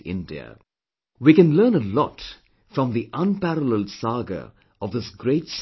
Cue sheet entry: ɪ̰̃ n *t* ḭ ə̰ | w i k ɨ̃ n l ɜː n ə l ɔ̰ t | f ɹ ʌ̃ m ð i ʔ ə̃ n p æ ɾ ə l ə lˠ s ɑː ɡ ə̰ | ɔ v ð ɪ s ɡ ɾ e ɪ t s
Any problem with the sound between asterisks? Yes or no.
yes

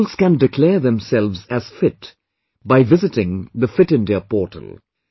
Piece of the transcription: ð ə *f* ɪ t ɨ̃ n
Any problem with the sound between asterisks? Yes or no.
no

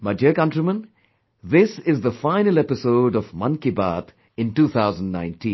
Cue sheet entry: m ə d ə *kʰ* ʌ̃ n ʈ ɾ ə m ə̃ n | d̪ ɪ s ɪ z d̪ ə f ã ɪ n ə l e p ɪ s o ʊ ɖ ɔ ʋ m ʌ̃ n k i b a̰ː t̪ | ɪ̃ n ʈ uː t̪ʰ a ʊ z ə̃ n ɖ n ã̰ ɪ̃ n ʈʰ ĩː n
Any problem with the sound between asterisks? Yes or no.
yes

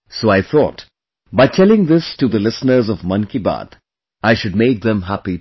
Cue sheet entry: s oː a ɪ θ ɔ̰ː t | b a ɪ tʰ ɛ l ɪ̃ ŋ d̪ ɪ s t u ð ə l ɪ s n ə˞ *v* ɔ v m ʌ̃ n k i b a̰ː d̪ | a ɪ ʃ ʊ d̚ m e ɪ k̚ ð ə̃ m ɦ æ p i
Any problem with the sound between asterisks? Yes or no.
yes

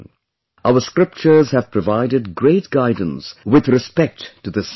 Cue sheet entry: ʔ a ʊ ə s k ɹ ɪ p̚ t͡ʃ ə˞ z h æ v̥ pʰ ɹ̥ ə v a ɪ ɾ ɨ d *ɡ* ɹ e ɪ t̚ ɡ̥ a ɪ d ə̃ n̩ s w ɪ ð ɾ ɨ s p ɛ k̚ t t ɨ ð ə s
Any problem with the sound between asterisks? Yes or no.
no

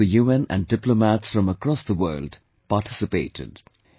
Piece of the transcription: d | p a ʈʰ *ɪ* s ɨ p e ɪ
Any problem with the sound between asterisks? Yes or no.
no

